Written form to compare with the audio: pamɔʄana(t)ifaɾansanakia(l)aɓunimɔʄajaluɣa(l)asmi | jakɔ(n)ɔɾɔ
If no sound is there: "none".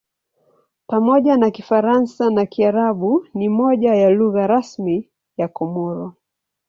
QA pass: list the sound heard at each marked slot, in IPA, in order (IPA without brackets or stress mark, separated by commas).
k, ɾ, ɾ, m